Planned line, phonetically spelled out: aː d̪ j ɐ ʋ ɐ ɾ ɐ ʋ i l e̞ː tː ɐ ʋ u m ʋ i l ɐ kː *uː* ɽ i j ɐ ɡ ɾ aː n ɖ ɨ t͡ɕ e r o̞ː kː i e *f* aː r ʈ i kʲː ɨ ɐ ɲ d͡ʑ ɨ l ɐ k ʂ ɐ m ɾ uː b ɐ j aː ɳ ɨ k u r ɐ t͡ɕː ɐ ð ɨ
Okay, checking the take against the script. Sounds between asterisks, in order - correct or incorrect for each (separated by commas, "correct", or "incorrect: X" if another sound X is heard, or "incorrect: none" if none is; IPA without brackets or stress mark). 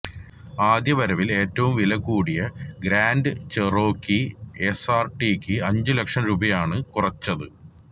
correct, incorrect: s